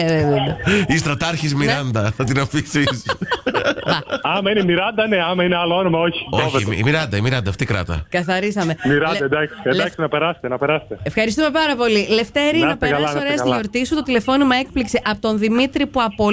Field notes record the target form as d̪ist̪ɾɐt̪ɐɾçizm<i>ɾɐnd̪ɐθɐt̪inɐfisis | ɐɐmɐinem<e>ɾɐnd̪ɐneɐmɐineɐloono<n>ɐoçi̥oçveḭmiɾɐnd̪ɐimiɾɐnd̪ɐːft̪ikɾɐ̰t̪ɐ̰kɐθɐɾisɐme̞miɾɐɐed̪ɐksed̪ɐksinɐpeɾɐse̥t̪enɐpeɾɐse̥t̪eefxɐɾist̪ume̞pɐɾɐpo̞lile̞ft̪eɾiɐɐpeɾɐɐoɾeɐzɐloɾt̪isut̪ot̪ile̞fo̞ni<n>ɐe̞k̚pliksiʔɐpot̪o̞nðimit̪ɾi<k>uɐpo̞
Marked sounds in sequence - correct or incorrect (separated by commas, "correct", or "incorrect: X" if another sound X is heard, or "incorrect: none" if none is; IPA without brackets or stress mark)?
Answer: correct, incorrect: i, incorrect: m, incorrect: m, incorrect: p